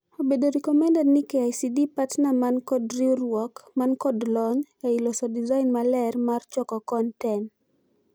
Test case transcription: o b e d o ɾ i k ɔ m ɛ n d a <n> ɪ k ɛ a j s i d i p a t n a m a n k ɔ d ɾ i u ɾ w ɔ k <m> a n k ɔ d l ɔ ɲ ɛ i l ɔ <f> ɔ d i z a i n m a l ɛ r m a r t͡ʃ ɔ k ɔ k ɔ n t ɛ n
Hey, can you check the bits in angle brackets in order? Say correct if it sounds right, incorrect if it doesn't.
correct, correct, incorrect

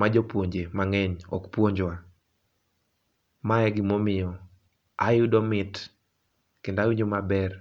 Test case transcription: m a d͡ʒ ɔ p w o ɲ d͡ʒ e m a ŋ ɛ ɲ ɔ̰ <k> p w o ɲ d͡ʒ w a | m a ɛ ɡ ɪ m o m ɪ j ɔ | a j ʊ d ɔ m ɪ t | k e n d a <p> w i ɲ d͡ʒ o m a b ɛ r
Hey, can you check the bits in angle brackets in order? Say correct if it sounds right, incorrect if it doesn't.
correct, incorrect

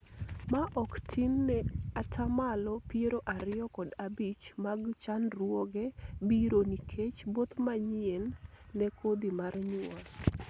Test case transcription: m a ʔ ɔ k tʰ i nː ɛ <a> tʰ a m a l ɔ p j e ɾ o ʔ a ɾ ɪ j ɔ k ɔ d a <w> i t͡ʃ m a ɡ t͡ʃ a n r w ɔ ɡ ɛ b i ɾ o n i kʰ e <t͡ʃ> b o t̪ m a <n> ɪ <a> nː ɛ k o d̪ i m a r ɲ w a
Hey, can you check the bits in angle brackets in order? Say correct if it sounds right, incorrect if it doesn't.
correct, incorrect, correct, incorrect, incorrect

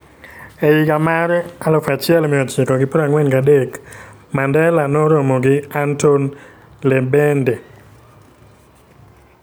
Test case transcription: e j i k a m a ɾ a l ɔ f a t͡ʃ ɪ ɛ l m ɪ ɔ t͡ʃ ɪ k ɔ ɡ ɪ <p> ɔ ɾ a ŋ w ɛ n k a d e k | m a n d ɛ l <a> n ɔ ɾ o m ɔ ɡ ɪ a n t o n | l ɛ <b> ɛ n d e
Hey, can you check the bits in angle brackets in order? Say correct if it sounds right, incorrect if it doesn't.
correct, correct, correct

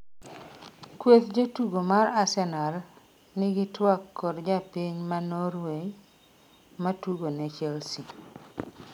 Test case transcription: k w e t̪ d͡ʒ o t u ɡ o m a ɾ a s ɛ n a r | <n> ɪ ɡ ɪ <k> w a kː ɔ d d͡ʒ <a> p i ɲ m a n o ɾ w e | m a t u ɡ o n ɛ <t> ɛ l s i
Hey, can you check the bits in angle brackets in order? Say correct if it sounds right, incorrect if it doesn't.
correct, incorrect, correct, incorrect

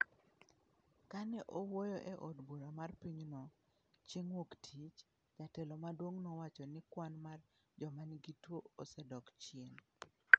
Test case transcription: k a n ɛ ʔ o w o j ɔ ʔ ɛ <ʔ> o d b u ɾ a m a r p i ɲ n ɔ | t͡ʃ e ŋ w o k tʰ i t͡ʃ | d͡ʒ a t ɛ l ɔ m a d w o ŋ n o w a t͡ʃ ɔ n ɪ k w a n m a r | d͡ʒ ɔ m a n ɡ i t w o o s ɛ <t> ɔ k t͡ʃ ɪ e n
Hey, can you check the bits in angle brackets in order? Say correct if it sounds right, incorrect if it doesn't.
correct, incorrect

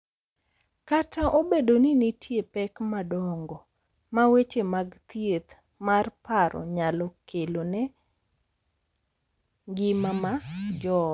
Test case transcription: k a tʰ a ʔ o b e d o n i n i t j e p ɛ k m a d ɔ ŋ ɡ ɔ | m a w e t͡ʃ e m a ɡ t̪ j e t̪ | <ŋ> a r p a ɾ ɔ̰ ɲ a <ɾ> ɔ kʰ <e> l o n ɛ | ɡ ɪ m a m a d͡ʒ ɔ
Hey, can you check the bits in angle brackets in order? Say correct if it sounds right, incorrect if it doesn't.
incorrect, incorrect, correct

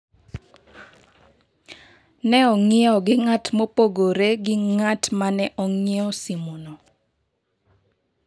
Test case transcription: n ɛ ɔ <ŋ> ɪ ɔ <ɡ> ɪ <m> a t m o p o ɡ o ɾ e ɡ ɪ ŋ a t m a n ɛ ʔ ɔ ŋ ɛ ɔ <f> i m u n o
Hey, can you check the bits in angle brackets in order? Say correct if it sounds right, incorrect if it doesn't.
correct, correct, incorrect, incorrect

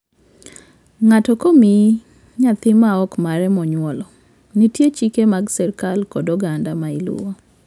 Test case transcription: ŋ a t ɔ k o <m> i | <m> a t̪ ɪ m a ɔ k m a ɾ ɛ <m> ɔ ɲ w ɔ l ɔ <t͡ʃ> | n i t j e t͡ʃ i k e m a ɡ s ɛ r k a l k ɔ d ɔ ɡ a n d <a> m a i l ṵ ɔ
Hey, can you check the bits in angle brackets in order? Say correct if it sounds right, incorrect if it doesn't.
correct, incorrect, correct, incorrect, correct

